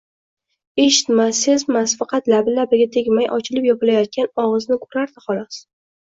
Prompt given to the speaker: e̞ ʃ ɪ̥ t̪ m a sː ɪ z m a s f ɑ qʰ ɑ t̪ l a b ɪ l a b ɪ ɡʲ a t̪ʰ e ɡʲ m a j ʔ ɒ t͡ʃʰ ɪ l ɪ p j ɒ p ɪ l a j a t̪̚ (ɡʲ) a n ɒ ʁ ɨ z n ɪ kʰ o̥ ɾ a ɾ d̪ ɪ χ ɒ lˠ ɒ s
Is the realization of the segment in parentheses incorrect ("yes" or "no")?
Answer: yes